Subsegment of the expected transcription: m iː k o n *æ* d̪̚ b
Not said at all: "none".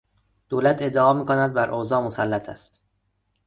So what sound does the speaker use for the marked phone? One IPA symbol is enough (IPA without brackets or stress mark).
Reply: æ